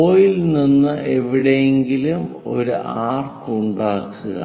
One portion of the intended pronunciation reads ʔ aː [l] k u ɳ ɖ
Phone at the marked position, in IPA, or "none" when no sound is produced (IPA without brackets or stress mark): r